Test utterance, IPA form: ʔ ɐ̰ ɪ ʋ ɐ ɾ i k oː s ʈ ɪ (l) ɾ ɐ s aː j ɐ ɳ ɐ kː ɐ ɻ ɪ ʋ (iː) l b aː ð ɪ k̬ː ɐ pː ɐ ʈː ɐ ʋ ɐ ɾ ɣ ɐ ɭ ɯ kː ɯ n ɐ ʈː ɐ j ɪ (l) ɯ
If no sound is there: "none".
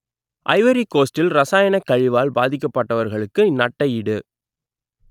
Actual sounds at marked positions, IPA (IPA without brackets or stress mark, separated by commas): l, aː, ɽ